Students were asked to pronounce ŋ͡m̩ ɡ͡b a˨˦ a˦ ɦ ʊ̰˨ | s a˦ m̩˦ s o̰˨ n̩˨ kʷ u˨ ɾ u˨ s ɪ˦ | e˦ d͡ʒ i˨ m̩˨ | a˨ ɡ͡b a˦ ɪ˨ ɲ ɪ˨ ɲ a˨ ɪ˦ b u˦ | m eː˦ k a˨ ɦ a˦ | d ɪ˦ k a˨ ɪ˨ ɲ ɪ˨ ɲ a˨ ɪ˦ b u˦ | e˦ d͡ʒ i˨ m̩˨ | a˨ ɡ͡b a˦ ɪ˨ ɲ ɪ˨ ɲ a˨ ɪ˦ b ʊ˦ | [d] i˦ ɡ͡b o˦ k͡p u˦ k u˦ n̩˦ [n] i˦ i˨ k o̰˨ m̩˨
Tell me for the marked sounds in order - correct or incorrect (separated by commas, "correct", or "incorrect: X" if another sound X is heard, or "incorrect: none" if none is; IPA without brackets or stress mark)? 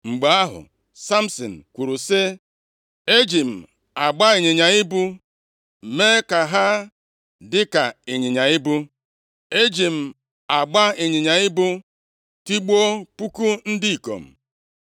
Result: incorrect: t, incorrect: d